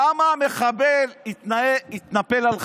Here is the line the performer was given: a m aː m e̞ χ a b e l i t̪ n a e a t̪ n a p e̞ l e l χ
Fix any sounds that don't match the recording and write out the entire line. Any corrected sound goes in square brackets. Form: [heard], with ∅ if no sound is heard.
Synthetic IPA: a m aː m e̞ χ a b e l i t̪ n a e [i] t̪ n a p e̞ l [a] l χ